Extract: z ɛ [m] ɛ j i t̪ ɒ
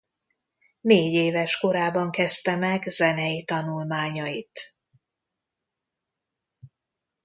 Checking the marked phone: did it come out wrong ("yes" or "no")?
yes